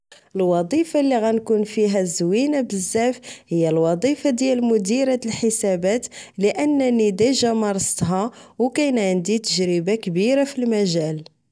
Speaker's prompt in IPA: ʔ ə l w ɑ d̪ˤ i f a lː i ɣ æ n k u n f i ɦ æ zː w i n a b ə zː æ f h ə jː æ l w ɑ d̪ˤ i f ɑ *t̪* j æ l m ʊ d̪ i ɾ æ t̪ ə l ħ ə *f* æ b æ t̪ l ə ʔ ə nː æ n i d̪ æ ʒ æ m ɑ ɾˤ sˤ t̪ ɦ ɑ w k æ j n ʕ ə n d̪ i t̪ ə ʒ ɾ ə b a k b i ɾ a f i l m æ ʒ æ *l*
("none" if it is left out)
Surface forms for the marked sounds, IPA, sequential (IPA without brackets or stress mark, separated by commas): d̪, s, l